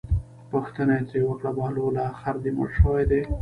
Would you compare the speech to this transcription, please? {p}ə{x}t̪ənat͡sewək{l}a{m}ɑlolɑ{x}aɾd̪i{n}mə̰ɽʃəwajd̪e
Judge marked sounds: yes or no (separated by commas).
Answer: yes, yes, no, no, yes, no